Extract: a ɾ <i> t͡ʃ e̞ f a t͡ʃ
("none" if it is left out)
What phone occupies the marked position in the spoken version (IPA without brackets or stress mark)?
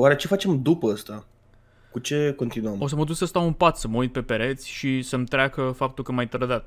e